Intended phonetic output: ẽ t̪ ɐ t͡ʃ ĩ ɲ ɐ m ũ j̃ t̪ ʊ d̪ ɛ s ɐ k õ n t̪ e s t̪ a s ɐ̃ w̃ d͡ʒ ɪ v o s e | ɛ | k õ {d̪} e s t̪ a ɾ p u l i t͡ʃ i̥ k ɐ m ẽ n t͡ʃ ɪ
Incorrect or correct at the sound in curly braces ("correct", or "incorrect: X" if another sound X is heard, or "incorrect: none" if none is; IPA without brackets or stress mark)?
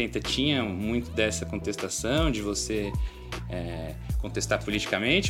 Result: incorrect: t̪